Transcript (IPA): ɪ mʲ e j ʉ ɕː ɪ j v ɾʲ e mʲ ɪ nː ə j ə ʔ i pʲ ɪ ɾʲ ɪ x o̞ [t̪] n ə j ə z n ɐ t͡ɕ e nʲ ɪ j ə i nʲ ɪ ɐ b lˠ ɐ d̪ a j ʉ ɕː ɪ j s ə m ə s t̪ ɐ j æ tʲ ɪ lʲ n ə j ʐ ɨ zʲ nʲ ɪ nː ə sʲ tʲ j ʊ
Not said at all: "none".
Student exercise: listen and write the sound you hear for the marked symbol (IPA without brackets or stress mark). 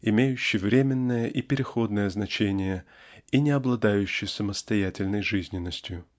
d̪